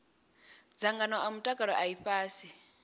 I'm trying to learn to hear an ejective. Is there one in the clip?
yes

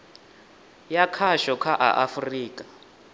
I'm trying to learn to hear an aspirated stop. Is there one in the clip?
yes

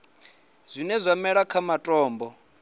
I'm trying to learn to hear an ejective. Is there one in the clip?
yes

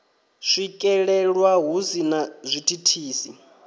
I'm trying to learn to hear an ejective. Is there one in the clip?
yes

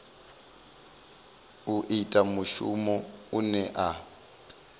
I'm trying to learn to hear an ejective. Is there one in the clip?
yes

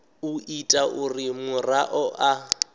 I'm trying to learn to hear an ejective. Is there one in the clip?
yes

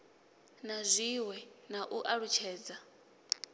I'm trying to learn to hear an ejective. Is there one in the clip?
no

